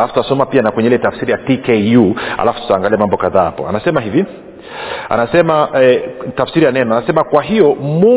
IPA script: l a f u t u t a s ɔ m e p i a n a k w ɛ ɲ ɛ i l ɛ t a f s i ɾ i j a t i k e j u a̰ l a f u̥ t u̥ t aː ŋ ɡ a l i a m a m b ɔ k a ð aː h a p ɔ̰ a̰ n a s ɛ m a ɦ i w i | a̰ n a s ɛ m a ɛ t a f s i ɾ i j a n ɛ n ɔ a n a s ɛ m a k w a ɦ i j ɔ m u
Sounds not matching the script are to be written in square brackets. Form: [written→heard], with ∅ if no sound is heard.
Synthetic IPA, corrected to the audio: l a f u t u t a s ɔ m [e→a] p i a n a k w ɛ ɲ ɛ i l ɛ t a f s i ɾ i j a t i k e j u a̰ l a f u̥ t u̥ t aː ŋ ɡ a l i a m a m b ɔ k a ð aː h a p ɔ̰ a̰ n a s ɛ m a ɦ i [w→v] i | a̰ n a s ɛ m a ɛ t a f s i ɾ i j a n ɛ n ɔ a n a s ɛ m a k w a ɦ i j ɔ m u